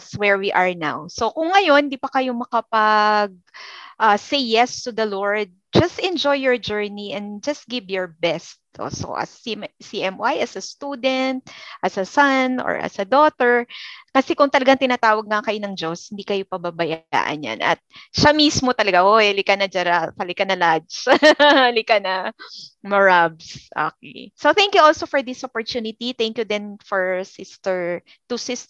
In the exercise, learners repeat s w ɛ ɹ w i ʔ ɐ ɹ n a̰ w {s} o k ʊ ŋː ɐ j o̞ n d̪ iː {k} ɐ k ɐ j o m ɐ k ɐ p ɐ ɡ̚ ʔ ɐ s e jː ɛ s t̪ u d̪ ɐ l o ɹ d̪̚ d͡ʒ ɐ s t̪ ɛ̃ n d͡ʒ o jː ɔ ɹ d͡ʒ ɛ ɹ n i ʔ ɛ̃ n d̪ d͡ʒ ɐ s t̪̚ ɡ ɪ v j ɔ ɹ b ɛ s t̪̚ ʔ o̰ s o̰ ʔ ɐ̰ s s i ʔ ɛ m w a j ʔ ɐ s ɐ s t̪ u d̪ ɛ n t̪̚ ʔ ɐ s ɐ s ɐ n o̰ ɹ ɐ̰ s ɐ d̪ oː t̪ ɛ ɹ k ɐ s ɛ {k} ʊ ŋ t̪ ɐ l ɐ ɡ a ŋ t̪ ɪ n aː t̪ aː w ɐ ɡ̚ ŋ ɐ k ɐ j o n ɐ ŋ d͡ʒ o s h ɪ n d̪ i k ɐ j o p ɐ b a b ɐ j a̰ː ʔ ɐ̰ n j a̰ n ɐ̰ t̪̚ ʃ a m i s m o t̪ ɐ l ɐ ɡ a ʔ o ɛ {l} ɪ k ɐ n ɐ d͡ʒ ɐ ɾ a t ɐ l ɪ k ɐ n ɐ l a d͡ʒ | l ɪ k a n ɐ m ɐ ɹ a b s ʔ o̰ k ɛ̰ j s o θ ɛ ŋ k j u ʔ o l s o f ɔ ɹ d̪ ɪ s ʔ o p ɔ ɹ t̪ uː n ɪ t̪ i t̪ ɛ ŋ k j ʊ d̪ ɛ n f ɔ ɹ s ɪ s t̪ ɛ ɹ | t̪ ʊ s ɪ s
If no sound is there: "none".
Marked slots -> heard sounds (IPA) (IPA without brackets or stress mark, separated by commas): s, p, k, l